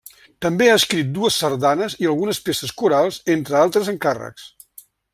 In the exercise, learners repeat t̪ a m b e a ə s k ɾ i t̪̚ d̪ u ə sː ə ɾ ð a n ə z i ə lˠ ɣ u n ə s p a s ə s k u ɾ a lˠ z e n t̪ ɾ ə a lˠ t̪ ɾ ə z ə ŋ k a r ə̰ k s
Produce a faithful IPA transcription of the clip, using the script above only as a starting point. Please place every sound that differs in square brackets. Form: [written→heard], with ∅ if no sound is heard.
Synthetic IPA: t̪ [a→ə] m b e a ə s k ɾ i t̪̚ d̪ u ə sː ə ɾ ð a n ə z i ə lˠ ɣ u n ə s p [a→e] s ə s k u ɾ a lˠ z e n t̪ ɾ ə a lˠ t̪ ɾ ə z ə ŋ k a r ə̰ k s

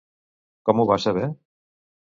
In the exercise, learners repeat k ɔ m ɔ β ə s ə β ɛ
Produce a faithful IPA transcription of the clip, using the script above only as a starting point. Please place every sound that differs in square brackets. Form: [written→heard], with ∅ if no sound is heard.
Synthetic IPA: k ɔ m [ɔ→u] β [ə→a] s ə β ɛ

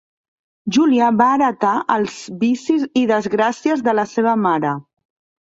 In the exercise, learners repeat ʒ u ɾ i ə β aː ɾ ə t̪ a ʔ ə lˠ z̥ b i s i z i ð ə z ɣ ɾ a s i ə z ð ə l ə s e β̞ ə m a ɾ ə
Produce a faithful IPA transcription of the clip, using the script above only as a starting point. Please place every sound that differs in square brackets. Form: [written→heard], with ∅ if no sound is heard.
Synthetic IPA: ʒ u [ɾ→l] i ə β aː ɾ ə t̪ a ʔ ə lˠ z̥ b i s i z i ð ə z ɣ ɾ a s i ə z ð ə l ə s e β̞ ə m a ɾ ə

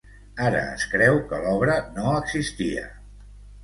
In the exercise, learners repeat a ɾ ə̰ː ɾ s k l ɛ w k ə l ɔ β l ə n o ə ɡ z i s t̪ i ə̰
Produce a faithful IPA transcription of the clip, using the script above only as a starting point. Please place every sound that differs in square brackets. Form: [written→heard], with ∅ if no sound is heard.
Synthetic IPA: a ɾ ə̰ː [ɾ→∅] s k [l→ɾ] ɛ w k ə l ɔ β [l→ɾ] ə n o ə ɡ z i s t̪ i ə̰

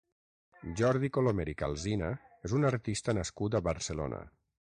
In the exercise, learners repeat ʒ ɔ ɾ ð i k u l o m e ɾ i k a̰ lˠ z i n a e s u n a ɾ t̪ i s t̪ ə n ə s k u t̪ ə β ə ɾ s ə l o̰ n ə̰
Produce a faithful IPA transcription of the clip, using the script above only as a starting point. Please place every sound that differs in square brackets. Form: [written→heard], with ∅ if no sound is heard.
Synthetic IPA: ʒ ɔ ɾ ð i k [u→o] l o m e ɾ i k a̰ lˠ z i n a e [s→z] u n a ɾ t̪ i s t̪ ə n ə s k u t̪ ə β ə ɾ s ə l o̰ n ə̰

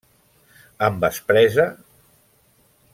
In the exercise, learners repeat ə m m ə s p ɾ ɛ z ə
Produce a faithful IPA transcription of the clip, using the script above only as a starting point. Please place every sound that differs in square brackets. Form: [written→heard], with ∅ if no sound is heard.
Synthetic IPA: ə m [m→b] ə s p ɾ ɛ z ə

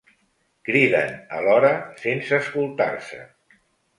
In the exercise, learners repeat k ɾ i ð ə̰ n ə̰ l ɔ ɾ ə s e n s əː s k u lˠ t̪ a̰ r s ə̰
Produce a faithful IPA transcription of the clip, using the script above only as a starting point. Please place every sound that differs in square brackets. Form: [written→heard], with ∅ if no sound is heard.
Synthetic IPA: k ɾ i ð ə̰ n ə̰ l ɔ ɾ ə s e n s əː s k u lˠ t̪ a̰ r s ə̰

